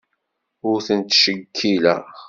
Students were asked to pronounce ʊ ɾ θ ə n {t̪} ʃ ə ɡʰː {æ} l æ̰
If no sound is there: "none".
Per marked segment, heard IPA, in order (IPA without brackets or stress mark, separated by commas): t̪, i